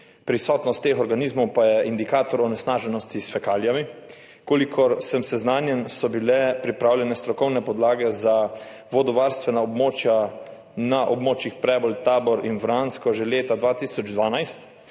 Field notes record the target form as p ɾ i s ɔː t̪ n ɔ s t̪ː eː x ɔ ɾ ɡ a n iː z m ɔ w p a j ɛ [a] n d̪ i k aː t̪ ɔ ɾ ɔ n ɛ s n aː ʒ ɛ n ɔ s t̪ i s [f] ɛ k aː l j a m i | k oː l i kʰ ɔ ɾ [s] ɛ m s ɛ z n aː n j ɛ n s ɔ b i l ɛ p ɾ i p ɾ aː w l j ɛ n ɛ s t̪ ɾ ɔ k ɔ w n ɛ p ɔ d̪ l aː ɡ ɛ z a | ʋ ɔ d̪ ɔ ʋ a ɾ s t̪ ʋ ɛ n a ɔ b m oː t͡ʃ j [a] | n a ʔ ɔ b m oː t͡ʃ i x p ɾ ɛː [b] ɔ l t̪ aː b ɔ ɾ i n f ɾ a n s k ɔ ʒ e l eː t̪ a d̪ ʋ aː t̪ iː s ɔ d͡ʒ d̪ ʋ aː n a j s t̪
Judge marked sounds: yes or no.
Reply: no, yes, yes, yes, yes

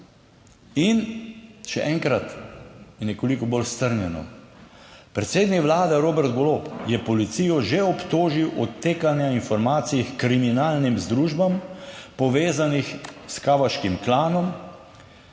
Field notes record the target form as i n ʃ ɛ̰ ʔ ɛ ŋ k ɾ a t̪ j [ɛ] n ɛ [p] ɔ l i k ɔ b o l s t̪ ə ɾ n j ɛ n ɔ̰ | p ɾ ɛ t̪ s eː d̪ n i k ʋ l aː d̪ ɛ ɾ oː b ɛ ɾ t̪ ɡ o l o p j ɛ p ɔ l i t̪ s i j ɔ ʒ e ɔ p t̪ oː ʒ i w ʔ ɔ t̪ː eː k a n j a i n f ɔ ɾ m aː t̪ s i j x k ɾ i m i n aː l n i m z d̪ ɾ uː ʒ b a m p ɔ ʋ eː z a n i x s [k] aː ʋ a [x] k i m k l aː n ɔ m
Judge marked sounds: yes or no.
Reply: yes, no, yes, no

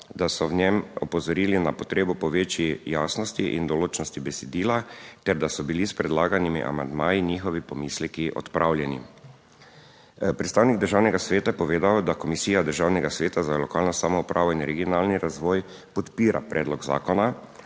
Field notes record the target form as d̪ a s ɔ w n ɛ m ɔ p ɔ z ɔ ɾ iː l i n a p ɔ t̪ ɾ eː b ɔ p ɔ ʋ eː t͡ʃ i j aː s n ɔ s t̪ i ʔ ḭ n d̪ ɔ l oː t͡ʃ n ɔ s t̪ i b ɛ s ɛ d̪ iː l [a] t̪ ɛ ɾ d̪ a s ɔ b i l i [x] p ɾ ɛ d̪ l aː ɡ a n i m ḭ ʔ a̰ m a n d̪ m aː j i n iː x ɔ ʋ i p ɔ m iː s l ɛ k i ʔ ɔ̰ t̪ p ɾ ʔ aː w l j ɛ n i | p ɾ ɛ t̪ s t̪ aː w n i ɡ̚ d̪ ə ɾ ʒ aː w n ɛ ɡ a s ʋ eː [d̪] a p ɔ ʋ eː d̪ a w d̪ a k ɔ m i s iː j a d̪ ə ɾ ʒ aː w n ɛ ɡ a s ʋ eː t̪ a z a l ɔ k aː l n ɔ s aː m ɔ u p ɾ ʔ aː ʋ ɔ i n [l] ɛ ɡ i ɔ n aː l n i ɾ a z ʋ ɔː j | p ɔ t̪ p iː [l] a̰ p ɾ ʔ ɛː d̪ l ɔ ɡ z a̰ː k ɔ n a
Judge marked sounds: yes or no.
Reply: yes, no, no, no, no

